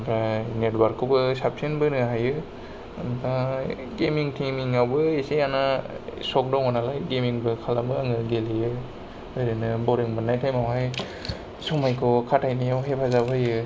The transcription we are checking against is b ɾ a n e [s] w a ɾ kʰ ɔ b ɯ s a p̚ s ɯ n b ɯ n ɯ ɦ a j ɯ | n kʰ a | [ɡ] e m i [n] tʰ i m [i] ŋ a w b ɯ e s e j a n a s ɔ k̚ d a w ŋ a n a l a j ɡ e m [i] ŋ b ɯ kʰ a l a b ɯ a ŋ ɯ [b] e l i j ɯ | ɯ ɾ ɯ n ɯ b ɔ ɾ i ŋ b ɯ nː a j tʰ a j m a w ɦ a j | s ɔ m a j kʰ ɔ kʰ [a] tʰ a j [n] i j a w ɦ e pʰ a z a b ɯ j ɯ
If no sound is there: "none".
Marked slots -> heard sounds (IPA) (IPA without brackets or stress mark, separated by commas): t, ɡ, ŋ, i, i, ɡ, a, n